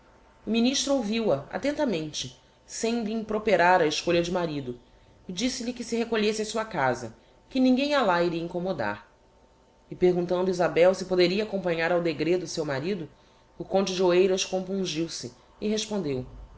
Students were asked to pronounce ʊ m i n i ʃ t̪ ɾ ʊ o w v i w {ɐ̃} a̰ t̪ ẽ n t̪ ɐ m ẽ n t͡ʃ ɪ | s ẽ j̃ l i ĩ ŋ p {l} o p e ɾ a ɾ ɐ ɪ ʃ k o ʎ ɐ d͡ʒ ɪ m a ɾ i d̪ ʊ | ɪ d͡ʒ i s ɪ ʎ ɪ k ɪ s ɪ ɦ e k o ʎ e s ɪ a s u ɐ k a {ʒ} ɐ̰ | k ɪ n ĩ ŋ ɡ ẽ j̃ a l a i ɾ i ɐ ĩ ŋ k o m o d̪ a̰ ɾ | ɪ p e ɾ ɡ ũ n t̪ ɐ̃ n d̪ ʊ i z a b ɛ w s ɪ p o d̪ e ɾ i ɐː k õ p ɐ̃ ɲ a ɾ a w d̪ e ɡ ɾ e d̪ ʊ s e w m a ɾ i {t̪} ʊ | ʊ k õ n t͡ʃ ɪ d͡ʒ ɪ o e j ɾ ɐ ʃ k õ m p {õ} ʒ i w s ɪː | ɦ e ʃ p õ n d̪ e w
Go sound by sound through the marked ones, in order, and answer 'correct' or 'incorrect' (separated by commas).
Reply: incorrect, incorrect, incorrect, incorrect, incorrect